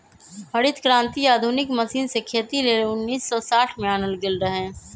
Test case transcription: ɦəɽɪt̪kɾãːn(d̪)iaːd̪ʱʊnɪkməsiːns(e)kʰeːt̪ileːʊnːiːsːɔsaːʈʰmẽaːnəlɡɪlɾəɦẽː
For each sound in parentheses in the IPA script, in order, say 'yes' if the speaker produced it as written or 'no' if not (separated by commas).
no, yes